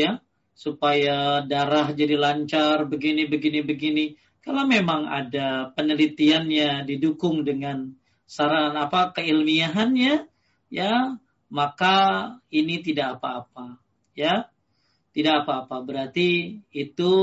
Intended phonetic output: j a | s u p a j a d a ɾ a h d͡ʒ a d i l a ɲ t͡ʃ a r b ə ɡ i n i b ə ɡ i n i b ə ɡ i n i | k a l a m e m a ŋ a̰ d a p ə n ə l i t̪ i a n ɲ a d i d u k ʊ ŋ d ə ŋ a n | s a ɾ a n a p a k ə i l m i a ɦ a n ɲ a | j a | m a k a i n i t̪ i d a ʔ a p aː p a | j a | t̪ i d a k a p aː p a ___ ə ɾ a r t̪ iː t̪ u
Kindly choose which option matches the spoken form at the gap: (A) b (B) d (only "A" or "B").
A